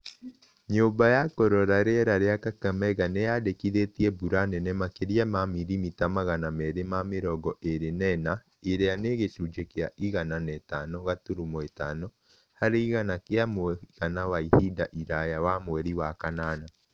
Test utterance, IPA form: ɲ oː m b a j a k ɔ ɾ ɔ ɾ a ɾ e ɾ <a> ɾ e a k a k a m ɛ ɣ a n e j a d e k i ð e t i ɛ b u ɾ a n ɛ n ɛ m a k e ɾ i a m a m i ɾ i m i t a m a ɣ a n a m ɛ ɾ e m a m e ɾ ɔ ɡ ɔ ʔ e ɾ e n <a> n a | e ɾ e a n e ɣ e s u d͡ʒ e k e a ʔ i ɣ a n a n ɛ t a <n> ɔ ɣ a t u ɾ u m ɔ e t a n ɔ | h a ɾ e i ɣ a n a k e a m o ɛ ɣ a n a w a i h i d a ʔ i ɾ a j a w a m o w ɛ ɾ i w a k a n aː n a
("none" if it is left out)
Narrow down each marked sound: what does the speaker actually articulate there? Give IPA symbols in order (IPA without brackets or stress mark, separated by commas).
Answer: a, ɛ, n